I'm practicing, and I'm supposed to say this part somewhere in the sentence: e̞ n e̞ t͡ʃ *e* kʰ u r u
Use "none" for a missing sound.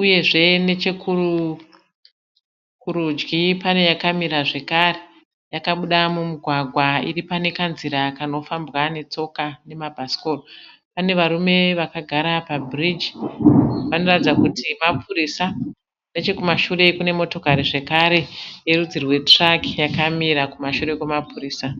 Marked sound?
e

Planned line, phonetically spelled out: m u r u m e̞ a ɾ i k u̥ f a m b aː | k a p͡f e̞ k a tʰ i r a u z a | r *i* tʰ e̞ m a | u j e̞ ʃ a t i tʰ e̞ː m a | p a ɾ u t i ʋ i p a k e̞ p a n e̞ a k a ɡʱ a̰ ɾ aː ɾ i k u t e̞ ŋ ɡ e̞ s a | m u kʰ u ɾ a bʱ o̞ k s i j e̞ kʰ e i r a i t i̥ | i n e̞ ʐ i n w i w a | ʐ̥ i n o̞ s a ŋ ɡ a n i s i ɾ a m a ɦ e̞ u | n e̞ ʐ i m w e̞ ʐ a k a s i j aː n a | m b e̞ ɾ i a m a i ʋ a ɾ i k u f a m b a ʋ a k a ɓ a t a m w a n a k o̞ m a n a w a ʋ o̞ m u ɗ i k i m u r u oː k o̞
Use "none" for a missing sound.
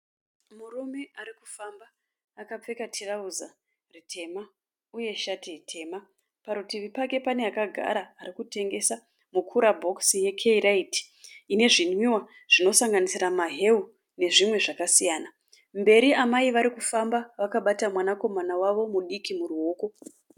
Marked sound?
i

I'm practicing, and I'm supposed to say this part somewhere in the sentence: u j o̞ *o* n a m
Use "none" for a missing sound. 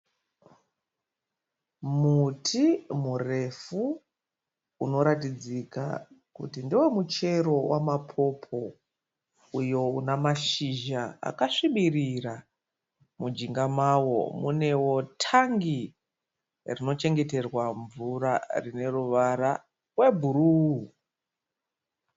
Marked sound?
u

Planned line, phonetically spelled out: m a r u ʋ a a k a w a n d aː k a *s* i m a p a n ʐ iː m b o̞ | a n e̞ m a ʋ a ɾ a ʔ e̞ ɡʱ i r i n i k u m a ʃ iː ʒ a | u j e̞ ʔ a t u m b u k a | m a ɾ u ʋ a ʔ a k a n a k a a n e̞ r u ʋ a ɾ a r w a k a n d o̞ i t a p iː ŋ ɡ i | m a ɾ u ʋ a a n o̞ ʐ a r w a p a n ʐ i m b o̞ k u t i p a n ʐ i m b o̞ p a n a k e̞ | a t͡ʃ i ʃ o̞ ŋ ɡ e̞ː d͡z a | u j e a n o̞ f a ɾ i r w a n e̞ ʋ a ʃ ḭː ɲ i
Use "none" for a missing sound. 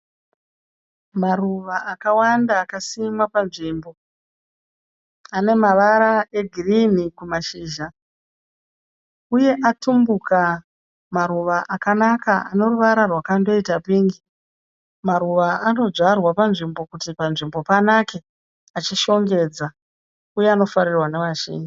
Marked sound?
s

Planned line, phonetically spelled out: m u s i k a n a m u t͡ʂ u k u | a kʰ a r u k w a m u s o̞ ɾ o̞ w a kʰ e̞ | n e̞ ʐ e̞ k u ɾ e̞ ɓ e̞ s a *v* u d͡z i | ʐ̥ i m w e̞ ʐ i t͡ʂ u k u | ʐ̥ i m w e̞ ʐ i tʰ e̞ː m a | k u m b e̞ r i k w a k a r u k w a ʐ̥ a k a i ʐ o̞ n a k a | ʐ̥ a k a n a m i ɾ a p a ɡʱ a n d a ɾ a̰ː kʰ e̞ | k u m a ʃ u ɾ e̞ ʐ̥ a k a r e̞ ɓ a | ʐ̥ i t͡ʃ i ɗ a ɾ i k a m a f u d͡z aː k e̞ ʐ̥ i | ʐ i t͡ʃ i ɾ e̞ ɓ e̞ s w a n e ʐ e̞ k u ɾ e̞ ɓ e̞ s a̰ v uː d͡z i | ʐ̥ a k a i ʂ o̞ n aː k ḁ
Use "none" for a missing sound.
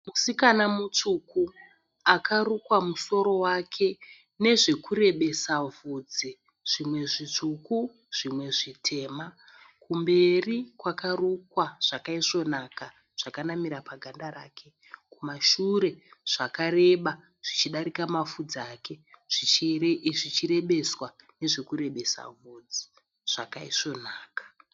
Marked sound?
v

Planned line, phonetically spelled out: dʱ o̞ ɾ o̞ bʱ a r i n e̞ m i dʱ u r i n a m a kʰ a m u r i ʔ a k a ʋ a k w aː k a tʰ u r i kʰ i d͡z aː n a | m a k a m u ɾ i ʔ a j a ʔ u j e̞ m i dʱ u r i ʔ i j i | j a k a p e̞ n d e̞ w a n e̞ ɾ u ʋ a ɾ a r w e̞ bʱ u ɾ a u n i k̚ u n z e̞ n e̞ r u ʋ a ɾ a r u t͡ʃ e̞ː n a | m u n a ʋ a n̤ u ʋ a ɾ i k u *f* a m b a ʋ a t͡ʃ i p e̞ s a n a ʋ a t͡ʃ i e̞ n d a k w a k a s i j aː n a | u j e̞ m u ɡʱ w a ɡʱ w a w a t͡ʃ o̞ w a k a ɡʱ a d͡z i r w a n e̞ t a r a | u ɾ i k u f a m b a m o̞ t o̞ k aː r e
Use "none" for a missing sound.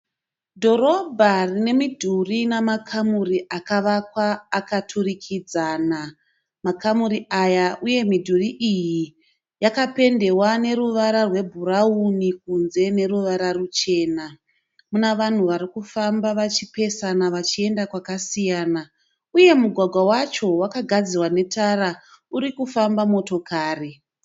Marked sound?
f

